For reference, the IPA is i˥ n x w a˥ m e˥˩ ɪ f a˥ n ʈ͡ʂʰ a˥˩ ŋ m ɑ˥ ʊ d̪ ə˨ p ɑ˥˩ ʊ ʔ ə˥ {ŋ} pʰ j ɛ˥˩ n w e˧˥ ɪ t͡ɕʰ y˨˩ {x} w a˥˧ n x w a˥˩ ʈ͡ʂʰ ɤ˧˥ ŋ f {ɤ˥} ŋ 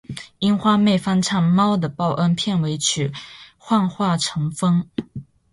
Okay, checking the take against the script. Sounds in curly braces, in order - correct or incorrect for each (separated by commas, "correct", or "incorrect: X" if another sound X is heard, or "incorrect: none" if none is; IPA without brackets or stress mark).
incorrect: n, correct, correct